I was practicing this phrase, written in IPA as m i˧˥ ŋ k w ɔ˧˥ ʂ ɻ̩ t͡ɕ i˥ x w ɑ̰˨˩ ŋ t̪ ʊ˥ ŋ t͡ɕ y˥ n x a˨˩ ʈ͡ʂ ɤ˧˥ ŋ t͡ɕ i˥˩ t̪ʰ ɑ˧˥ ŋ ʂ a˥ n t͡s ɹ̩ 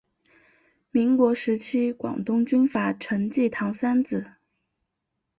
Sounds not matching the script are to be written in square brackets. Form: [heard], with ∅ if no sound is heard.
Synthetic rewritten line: m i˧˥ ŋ k w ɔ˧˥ ʂ ɻ̩ [t͡ɕʰ] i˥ [k] w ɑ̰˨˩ ŋ t̪ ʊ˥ ŋ t͡ɕ y˥ n [f] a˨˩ [ʈ͡ʂʰ] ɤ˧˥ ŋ t͡ɕ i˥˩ t̪ʰ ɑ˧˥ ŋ [s] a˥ n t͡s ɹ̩